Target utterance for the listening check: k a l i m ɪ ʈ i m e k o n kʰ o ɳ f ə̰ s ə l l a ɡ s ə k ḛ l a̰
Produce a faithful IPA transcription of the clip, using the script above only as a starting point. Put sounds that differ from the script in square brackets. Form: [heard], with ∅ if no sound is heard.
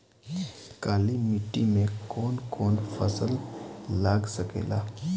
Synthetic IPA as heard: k a l i m [i] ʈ i m e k o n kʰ o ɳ f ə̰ s ə l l a ɡ s ə k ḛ l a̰